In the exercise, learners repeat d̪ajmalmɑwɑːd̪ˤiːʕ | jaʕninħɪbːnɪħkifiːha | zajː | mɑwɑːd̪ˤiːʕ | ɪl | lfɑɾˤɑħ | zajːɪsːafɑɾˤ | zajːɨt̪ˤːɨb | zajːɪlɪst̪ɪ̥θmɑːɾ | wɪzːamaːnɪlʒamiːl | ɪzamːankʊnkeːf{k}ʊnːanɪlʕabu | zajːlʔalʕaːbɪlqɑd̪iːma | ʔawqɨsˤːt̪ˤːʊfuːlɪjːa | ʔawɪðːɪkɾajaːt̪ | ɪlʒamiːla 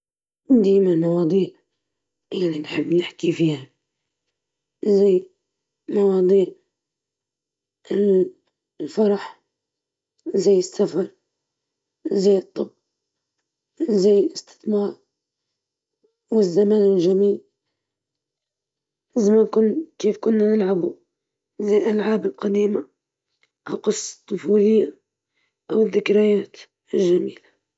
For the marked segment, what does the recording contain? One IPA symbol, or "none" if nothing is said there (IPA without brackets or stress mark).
k